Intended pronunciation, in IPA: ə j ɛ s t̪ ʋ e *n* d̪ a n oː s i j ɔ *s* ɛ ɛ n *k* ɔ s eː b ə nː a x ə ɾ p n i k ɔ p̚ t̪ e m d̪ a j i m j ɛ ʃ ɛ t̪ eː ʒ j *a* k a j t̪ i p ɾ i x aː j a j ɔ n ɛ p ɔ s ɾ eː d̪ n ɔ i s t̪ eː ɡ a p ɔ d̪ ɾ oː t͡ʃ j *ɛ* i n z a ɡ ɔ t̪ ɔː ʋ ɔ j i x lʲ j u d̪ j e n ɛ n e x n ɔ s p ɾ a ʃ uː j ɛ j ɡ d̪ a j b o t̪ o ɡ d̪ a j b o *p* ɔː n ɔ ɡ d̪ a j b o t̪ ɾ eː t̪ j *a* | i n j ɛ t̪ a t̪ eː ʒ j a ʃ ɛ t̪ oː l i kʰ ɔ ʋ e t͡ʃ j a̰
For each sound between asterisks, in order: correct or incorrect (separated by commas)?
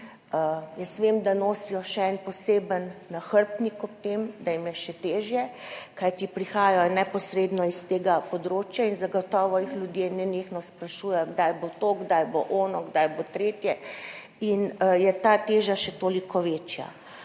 incorrect, incorrect, incorrect, incorrect, incorrect, incorrect, incorrect